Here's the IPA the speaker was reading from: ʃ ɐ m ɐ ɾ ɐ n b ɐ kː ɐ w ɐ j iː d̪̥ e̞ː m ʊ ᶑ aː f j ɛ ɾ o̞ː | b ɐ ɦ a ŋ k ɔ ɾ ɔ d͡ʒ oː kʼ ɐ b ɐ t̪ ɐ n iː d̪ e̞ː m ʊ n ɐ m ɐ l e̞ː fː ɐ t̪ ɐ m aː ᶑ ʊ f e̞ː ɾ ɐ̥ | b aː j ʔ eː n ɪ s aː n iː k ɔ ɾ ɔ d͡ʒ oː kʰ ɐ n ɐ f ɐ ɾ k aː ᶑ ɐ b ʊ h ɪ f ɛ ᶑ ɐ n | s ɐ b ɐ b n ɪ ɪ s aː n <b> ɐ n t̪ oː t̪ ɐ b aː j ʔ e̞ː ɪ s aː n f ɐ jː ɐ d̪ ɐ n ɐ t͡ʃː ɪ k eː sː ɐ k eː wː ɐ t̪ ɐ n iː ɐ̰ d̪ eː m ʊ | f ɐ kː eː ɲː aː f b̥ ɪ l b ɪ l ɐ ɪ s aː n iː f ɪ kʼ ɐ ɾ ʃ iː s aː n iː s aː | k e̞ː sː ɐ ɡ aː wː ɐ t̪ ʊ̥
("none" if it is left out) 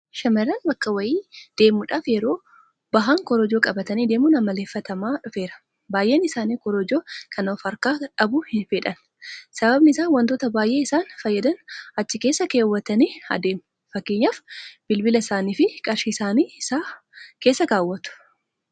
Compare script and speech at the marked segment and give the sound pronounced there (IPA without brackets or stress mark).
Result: w